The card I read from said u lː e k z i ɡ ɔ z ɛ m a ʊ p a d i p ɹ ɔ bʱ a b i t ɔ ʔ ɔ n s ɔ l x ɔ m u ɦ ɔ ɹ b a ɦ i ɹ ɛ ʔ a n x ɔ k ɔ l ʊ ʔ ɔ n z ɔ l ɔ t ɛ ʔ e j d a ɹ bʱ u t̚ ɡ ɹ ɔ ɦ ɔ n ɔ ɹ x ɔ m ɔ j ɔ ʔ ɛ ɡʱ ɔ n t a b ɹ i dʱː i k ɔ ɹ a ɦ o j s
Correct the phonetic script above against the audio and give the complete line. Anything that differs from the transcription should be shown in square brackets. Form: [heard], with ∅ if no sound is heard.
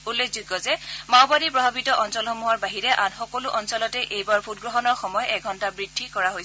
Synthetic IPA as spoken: u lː e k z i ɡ ɔ z ɛ m a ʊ [b] a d i p ɹ ɔ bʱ a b i t ɔ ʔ ɔ n s ɔ l x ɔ m u ɦ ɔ ɹ b a ɦ i ɹ ɛ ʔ a n x ɔ k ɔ l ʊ ʔ ɔ n [s] ɔ l ɔ t ɛ ʔ e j [b] a ɹ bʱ u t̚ ɡ ɹ ɔ ɦ ɔ n ɔ ɹ x ɔ m ɔ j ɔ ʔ ɛ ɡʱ ɔ n t a b ɹ i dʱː i k ɔ ɹ a ɦ o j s